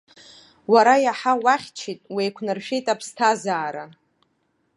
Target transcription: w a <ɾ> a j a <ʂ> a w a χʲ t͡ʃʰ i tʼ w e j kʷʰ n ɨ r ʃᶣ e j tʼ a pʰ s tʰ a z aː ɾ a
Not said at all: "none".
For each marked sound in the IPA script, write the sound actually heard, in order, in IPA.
ɾ, ħ

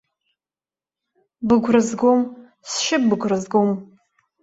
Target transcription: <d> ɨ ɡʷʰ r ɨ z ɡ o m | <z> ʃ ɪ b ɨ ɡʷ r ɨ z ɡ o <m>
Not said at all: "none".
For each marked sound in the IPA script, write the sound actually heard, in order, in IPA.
b, s, m

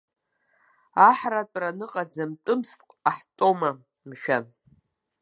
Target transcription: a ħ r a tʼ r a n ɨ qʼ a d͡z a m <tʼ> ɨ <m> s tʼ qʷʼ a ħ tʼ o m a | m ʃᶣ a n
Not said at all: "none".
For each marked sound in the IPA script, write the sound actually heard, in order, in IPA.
tʼ, m

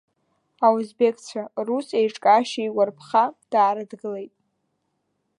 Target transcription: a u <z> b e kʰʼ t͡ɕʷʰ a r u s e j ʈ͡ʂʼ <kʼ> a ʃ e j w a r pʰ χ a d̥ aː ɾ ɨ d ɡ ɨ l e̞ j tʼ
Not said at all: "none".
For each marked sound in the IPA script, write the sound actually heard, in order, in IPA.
z, kʼ

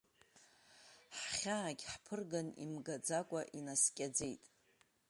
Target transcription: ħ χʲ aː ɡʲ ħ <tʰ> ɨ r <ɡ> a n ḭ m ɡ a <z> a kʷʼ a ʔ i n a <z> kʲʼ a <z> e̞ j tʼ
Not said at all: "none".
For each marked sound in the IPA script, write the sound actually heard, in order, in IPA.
pʰ, ɡ, d͡z, s, d͡z

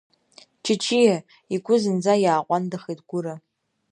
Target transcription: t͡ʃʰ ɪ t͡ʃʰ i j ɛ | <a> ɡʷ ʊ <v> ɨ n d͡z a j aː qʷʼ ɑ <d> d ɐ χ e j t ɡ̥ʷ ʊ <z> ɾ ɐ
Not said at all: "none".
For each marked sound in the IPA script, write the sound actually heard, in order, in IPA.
i, z, n, none

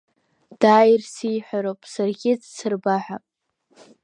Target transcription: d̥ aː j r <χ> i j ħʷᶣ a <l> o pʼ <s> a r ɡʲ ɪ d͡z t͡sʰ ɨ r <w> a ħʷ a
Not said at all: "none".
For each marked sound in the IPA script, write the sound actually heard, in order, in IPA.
s, ɾ, s, b

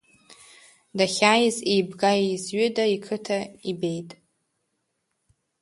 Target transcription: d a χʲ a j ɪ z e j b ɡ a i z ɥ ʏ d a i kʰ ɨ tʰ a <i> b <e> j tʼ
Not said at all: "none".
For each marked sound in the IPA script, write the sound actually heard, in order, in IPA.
i, e

